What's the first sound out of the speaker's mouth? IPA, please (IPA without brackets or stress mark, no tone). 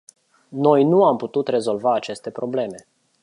n